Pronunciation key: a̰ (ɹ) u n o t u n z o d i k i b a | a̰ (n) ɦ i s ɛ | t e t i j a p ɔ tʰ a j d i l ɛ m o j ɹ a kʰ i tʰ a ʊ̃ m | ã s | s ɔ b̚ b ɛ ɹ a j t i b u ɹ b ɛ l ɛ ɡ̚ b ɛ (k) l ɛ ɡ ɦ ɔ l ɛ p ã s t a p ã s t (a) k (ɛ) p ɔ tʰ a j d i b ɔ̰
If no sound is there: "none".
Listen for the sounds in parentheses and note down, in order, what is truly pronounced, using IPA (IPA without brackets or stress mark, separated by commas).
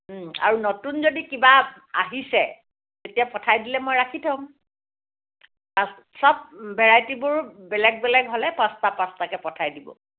ɹ, none, none, a, ɛ